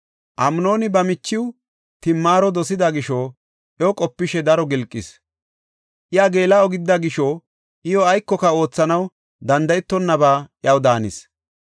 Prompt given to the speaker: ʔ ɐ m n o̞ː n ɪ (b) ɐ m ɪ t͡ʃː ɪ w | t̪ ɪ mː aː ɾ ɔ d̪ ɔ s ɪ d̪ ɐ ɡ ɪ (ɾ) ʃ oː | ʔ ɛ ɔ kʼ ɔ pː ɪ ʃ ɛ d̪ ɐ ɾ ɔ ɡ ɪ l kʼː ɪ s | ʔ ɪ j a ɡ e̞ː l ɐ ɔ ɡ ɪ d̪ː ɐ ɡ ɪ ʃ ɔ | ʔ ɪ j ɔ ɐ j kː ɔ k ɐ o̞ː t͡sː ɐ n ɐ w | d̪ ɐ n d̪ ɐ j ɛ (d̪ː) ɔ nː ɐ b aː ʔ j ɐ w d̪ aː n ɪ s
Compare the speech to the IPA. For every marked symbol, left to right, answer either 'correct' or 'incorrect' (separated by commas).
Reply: correct, incorrect, incorrect